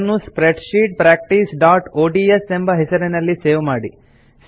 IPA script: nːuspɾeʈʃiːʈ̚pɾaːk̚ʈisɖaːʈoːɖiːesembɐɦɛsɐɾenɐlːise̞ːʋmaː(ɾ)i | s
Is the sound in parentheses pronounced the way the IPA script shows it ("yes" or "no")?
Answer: no